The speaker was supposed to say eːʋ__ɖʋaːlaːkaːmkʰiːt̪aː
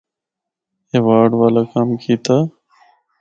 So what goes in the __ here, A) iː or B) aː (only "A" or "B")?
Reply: B